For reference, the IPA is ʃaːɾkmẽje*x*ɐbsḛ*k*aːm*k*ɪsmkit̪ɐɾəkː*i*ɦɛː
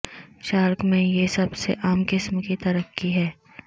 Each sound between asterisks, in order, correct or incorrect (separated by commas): incorrect, incorrect, correct, correct